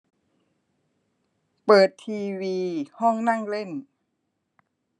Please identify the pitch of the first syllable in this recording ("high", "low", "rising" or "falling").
low